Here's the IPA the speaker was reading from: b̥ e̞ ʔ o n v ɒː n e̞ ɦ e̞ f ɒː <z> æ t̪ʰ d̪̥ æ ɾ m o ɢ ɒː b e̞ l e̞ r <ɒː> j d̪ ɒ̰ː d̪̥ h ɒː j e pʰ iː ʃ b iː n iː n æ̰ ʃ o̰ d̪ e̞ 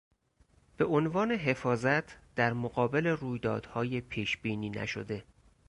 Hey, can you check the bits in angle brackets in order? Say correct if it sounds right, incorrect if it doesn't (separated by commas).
correct, incorrect